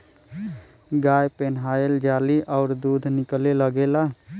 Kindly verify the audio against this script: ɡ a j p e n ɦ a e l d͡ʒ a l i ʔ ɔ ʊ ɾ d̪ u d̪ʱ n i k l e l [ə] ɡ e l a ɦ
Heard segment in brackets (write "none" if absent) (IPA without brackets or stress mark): ə